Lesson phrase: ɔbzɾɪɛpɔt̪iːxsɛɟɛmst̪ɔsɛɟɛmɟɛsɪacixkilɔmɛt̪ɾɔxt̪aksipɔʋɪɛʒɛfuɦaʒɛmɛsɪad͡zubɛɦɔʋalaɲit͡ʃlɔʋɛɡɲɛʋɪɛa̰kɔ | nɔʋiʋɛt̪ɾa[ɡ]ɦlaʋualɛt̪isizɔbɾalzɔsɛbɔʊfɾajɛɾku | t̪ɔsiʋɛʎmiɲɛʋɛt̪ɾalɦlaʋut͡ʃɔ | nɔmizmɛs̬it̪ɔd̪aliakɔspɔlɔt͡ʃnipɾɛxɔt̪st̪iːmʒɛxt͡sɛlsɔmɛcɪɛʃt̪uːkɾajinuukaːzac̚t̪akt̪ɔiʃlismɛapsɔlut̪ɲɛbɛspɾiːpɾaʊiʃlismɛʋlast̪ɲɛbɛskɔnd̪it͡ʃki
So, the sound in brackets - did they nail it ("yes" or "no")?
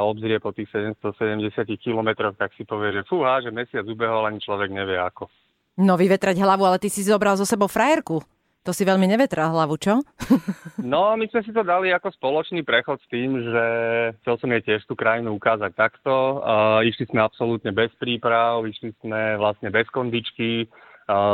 no